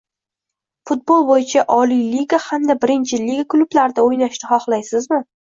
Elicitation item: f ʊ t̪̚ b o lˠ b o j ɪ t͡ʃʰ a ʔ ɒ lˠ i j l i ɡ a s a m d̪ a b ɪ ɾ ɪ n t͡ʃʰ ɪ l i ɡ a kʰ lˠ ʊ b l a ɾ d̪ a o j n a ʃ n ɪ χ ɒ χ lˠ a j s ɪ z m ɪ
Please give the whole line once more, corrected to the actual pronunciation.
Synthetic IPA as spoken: f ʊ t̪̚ b o lˠ b o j ɪ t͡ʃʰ a ʔ ɒ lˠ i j l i ɡ a h a m d̪ a b ɪ ɾ ɪ n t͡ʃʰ ɪ l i ɡ a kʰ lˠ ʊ b l a ɾ d̪ a o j n a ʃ n ɪ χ ɒ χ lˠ a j s ɪ z m ɪ